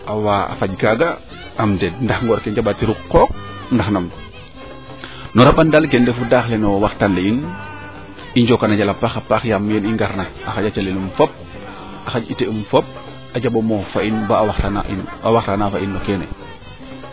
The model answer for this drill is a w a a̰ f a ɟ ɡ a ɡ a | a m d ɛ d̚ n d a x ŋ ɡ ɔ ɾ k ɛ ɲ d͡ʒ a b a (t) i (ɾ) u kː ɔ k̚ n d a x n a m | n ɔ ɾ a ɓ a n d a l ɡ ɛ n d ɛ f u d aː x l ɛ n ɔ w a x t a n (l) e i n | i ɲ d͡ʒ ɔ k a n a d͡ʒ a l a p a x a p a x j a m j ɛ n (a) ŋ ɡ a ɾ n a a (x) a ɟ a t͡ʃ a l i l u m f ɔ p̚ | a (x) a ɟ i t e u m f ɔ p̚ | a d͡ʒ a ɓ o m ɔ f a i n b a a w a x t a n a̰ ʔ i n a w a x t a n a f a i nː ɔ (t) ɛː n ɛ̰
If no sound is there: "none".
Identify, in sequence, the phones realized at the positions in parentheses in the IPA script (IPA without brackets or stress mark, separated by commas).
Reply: t, ɾ, l, i, x, x, k